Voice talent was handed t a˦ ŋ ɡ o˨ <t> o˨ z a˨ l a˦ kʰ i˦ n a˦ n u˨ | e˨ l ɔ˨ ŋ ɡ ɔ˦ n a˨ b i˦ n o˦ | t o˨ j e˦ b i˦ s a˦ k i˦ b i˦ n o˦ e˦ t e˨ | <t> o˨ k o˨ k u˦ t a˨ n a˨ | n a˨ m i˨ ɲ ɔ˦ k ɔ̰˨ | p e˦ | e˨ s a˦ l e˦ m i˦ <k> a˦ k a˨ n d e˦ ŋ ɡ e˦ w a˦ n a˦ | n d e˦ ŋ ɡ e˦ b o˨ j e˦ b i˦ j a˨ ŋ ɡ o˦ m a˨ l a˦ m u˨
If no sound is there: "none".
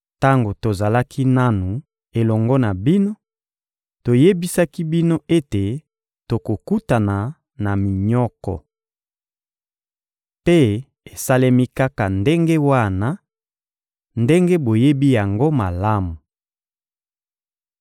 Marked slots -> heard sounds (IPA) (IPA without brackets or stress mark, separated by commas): t, t, k